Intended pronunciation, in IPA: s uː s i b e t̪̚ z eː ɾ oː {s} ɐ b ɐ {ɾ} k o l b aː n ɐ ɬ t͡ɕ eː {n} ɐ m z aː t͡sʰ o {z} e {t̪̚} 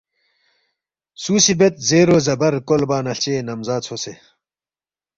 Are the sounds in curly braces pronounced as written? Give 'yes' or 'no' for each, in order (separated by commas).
no, yes, yes, no, no